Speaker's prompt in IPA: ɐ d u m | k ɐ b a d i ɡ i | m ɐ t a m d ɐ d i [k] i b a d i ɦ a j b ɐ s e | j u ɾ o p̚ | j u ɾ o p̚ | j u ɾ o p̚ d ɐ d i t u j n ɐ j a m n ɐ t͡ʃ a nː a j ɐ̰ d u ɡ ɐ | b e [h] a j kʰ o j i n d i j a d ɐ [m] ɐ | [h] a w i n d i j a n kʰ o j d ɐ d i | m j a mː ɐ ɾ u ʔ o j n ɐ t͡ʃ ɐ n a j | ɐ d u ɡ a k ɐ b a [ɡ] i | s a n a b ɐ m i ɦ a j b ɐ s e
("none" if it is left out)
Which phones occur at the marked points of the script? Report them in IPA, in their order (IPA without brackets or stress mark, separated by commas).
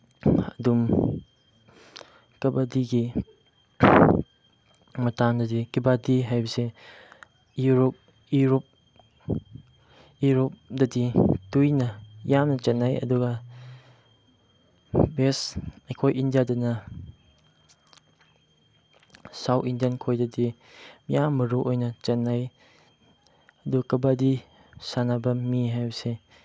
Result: k, s, n, s, d